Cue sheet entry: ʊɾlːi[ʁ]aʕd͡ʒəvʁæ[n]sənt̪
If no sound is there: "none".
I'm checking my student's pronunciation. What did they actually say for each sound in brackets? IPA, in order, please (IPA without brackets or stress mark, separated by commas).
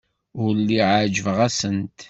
ʕ, none